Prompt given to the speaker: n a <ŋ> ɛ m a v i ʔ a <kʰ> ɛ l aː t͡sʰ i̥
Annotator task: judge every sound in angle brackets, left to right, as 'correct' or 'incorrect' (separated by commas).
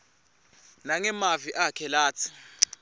correct, correct